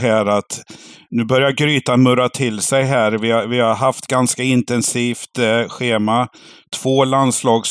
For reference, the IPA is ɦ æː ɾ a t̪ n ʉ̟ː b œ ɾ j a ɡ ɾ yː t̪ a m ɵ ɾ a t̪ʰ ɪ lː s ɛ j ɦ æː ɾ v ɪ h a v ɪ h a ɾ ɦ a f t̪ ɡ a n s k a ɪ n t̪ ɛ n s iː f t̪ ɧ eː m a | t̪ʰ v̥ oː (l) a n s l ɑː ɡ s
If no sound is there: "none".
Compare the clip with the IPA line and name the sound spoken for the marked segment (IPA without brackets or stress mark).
l